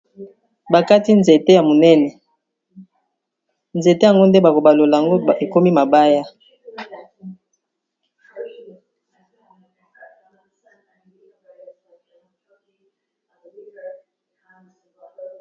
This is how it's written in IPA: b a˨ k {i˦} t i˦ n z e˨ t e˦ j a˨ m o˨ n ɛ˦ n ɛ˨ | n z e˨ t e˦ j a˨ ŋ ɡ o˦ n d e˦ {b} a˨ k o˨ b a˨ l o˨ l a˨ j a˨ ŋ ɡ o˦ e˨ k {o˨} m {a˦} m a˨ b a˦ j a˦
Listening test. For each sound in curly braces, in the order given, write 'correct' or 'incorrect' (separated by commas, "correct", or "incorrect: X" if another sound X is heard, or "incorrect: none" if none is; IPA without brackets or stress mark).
incorrect: a˦, correct, incorrect: o˦, incorrect: i˦